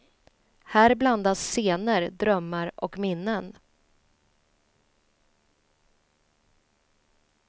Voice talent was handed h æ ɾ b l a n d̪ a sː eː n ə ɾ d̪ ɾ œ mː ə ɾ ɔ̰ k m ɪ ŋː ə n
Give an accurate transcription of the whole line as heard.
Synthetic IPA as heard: h æː ɾ b l a n d̪ a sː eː n ə ɾ d̪ ɾ œ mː a ɾ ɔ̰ k m ɪ nː ə n